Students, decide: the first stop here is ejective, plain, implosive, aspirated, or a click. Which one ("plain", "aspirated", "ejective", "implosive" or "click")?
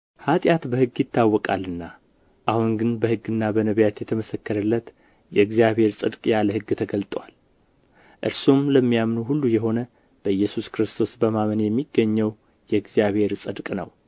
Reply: ejective